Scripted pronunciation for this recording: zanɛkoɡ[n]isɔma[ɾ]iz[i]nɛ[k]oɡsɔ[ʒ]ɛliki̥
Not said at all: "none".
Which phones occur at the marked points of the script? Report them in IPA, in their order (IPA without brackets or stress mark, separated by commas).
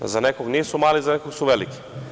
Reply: n, l, a, k, v